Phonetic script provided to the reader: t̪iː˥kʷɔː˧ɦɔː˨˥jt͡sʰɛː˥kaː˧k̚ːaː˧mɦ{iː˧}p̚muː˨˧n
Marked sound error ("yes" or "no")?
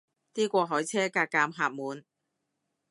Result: yes